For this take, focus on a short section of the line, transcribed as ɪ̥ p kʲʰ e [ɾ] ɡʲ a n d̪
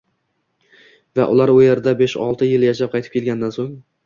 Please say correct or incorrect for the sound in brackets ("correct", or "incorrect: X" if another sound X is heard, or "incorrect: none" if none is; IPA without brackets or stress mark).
incorrect: l